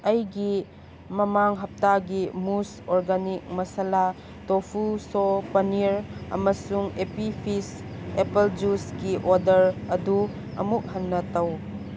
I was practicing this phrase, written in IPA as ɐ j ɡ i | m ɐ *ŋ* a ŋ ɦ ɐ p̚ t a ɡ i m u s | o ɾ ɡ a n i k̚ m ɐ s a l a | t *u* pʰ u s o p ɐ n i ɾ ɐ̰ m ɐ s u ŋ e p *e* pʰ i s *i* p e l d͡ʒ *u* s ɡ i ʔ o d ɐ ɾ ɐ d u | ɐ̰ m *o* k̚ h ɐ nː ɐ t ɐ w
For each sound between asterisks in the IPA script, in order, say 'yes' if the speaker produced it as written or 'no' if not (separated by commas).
no, no, no, no, yes, no